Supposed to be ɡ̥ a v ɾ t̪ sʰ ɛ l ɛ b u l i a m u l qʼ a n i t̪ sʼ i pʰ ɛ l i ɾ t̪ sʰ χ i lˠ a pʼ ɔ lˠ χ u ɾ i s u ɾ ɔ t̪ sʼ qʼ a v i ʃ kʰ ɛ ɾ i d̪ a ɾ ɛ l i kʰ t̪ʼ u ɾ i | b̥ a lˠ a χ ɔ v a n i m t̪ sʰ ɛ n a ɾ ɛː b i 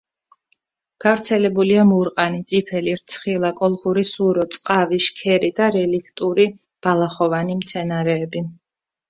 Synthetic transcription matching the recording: ɡ̥ a v ɾ t̪ sʰ ɛ l ɛ b u l i a m u ɾ qʼ a n i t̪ sʼ i pʰ ɛ l i ɾ t̪ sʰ χ i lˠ a kʼ ɔ lˠ χ u ɾ i s u ɾ ɔ t̪ sʼ qʼ a v i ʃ kʰ ɛ ɾ i d̪ a ɾ ɛ l i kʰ t̪ʼ u ɾ i | b̥ a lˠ a χ ɔ v a n i m t̪ sʰ ɛ n a ɾ ɛː b i